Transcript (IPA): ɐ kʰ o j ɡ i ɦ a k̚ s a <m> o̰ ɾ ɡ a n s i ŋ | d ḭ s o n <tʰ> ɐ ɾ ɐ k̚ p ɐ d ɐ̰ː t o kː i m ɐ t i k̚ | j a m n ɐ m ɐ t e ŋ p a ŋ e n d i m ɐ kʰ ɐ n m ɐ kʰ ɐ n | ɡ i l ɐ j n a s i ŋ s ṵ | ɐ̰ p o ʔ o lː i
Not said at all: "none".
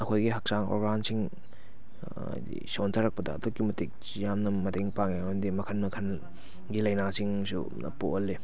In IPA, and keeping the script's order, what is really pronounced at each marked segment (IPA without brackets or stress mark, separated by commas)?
ŋ, tʰ